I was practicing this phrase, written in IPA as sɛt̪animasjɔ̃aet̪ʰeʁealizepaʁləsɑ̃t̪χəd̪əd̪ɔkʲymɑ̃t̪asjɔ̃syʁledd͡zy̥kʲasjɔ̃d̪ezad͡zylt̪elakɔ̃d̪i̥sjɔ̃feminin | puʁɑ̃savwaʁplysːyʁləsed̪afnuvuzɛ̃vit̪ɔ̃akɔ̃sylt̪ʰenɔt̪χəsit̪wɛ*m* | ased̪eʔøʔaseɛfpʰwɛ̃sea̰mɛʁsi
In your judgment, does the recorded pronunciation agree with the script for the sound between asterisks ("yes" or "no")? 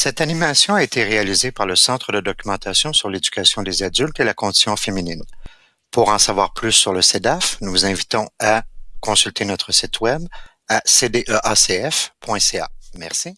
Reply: no